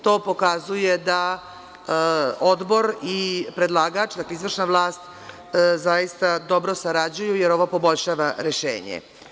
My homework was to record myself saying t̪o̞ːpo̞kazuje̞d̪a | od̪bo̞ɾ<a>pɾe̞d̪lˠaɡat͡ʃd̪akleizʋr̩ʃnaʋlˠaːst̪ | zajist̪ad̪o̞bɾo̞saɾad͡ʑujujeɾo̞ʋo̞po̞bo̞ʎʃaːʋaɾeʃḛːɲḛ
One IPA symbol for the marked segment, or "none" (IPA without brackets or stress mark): i